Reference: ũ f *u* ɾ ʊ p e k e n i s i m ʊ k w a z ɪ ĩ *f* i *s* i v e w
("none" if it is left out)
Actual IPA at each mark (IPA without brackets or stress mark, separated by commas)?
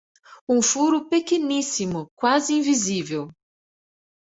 u, v, z